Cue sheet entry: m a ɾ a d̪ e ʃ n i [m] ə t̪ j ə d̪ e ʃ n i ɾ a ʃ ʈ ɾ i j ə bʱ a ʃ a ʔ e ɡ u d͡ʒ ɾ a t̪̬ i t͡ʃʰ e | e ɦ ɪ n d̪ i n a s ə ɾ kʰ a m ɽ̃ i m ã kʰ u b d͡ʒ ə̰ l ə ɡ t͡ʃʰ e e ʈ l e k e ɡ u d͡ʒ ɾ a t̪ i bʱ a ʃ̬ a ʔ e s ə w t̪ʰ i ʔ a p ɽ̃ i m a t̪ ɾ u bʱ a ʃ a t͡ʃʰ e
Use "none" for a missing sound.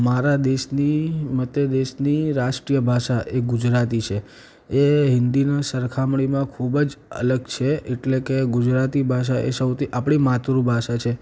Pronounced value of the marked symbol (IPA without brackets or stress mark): m